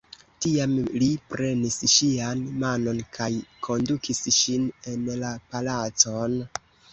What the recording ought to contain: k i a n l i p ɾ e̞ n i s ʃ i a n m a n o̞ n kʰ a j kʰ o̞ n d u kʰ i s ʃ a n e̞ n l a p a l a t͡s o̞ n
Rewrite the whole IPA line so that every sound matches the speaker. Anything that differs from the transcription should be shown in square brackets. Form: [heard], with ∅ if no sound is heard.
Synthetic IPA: [t] i a [m] l i p ɾ e̞ n i s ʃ i a n m a n o̞ n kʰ a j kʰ o̞ n d u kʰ i s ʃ [i] n e̞ n l a p a l a t͡s o̞ n